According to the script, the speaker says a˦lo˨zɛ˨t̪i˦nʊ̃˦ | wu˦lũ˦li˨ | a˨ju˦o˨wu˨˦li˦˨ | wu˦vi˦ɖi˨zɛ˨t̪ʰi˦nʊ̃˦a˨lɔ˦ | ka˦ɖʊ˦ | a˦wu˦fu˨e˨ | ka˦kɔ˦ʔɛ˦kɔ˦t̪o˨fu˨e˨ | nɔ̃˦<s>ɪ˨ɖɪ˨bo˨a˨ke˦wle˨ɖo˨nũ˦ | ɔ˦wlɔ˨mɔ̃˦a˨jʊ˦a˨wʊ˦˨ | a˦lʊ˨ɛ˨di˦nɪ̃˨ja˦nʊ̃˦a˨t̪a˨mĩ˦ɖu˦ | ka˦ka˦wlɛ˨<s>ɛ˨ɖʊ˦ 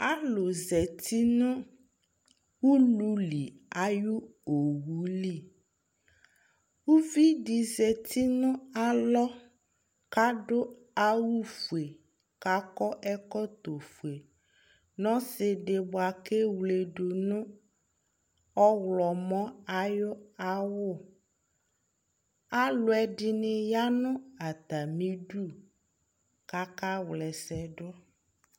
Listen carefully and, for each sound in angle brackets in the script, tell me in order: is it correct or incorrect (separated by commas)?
correct, correct